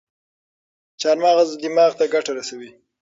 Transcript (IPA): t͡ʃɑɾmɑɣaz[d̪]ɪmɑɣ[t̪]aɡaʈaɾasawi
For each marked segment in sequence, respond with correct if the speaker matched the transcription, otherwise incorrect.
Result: correct, correct

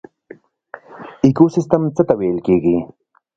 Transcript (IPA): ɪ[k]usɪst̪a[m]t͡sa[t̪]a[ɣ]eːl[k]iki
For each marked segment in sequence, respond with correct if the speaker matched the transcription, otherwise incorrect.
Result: correct, correct, correct, incorrect: w, correct

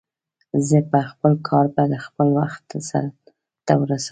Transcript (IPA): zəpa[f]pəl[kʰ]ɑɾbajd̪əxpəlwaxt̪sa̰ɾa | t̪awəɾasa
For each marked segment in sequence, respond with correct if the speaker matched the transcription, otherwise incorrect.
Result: incorrect: x, correct

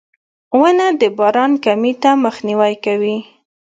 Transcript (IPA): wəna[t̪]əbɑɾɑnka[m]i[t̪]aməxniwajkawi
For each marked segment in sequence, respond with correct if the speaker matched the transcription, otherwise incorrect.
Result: incorrect: d̪, correct, correct

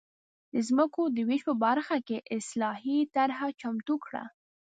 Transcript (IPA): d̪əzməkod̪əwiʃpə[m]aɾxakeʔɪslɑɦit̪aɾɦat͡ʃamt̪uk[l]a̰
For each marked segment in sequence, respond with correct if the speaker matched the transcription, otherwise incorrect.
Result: incorrect: b, incorrect: ɽ

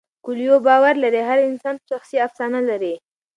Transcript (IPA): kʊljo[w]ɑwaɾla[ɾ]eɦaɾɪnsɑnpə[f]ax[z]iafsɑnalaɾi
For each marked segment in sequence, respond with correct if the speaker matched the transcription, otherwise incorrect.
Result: incorrect: b, correct, incorrect: ʃ, incorrect: s

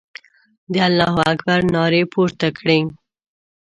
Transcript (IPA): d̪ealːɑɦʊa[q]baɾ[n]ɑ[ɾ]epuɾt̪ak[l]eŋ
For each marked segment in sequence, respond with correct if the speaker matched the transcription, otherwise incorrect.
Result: incorrect: k, correct, correct, incorrect: ɽ

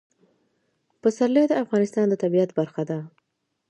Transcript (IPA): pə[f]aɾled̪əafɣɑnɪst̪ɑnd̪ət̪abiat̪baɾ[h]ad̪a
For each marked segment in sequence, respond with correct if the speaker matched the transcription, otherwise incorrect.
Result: incorrect: s, incorrect: x

